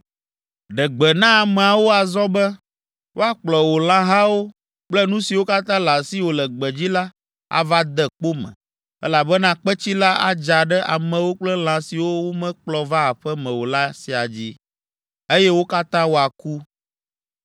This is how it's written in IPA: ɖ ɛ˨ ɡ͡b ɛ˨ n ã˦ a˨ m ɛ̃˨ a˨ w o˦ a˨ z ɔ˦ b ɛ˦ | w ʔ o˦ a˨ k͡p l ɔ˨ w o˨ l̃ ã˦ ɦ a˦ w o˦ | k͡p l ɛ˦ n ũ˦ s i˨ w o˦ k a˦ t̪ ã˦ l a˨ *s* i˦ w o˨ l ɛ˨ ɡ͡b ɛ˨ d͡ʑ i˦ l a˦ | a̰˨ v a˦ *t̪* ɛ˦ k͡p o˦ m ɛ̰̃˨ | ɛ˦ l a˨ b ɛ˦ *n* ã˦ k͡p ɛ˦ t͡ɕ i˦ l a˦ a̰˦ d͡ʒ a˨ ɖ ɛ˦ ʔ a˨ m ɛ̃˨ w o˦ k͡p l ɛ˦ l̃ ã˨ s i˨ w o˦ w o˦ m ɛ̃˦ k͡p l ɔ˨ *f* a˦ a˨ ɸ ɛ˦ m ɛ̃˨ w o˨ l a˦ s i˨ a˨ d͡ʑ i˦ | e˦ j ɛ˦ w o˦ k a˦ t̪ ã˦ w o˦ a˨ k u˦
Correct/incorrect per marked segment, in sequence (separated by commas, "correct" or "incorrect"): correct, incorrect, correct, incorrect